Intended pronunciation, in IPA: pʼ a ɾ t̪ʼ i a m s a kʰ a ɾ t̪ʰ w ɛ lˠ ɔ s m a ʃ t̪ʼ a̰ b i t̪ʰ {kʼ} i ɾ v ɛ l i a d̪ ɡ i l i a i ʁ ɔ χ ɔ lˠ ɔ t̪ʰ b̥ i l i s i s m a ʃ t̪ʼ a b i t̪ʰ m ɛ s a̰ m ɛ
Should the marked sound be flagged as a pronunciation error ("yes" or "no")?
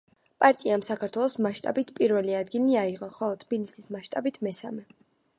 yes